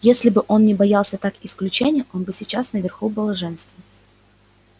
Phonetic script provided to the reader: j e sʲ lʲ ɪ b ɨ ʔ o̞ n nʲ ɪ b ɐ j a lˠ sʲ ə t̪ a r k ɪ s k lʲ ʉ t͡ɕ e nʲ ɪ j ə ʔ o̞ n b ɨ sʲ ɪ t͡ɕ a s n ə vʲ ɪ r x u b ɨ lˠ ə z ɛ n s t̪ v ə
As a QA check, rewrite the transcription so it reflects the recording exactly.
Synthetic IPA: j e sʲ lʲ ɪ b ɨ ʔ o̞ n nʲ ɪ b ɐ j a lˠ sʲ ə t̪ a k ɪ s k lʲ ʉ t͡ɕ e nʲ ɪ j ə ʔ o̞ n b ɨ sʲ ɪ t͡ɕ a s n ə vʲ ɪ r x u b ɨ lˠ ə ʐ ɛ n s t̪ v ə